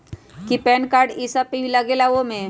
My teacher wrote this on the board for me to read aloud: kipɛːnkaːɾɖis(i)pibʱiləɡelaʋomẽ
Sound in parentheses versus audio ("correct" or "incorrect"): incorrect